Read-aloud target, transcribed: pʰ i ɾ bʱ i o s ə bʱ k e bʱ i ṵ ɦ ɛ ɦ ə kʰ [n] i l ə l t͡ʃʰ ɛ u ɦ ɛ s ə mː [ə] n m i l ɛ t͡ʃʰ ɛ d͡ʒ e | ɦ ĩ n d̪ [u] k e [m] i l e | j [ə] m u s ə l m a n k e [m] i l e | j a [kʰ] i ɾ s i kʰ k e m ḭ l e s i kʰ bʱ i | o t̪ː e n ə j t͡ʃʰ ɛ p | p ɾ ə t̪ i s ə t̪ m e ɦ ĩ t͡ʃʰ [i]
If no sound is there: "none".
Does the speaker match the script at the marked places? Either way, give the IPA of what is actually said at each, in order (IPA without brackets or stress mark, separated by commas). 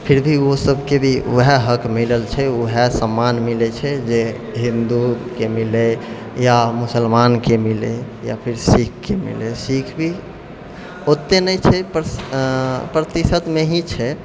m, a, u, m, a, m, pʰ, ɛ